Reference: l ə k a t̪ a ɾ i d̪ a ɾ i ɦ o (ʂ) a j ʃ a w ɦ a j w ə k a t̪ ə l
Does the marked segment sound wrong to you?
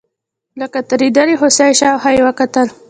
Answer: yes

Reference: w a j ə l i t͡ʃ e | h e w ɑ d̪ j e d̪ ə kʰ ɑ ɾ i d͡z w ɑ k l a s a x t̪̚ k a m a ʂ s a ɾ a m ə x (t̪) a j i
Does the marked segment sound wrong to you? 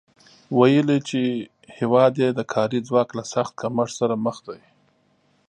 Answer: yes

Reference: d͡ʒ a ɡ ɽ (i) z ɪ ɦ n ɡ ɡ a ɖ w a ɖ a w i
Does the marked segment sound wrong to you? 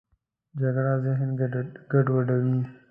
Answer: yes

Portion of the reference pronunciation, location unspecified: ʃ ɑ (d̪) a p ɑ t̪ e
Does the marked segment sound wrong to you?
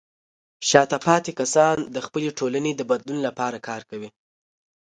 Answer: yes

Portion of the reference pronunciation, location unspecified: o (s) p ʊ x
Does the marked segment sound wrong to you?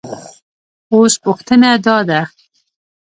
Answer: no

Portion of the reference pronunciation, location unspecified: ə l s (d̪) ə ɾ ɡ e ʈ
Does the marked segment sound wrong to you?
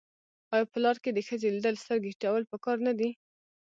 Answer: yes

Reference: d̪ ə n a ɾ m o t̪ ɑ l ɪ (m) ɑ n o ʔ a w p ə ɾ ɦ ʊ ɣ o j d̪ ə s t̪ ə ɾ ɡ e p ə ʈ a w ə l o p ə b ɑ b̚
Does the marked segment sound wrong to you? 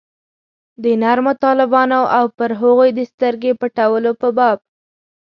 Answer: yes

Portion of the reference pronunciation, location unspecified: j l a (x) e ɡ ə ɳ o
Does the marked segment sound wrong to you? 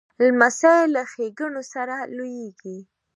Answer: no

